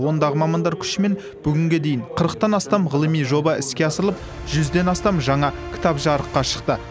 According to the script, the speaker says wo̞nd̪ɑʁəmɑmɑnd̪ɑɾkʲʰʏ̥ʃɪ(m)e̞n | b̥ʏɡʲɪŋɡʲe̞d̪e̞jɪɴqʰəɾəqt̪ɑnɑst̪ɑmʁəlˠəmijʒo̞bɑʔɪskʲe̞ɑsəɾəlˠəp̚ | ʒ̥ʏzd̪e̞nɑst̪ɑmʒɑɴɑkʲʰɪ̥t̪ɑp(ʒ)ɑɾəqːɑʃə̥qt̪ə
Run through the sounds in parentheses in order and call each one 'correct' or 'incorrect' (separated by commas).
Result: correct, correct